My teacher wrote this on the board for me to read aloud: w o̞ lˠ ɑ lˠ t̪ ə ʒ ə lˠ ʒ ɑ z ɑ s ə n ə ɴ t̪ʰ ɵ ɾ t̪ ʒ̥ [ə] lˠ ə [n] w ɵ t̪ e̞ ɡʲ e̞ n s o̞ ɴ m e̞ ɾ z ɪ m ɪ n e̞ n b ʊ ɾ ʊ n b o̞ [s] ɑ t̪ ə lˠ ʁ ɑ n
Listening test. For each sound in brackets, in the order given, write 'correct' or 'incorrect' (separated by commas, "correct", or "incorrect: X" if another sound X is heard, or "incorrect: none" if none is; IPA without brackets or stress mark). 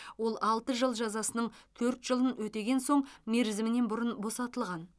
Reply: correct, correct, correct